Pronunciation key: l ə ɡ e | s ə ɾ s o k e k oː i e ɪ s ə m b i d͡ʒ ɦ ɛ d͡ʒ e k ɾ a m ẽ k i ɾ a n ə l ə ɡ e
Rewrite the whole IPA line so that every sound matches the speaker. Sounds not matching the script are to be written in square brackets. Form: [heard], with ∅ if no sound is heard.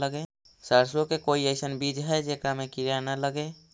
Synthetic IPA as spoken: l ə ɡ e | s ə ɾ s o k e k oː i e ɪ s ə [n] b i d͡ʒ ɦ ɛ d͡ʒ e k ɾ a m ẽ k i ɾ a n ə l ə ɡ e